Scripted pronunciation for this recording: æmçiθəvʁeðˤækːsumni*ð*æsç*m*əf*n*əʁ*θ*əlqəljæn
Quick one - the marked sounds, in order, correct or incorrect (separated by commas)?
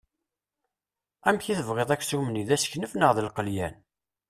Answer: correct, incorrect, correct, incorrect